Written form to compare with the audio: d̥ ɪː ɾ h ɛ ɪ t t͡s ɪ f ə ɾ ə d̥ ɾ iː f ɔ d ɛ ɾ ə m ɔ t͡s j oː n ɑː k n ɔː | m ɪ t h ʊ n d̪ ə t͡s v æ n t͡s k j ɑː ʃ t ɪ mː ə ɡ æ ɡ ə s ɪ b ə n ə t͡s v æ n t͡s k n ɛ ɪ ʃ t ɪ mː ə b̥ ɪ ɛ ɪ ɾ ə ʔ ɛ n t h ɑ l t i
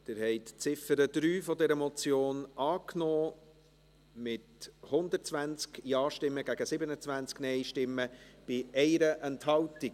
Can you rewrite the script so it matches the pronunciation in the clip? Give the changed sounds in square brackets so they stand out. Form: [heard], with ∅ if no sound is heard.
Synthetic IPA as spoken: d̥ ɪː ɾ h ɛ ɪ t t͡s ɪ f ə ɾ ə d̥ ɾ [yː] f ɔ d ɛ ɾ ə m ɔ t͡s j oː n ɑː k n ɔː | m ɪ t h ʊ n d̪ ə t͡s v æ n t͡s k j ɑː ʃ t ɪ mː ə ɡ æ ɡ ə s ɪ b ə n ə t͡s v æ n t͡s k n ɛ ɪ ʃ t ɪ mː ə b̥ ɪ ɛ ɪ ɾ ə ʔ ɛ n t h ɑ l t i